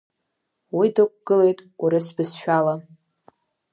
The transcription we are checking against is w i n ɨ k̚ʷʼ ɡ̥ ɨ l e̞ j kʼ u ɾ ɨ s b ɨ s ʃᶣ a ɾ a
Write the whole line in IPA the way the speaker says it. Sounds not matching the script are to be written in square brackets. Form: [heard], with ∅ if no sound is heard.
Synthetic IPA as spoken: w i [d] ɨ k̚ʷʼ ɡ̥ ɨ l e̞ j [tʼ] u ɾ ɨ s b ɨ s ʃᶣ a [l] a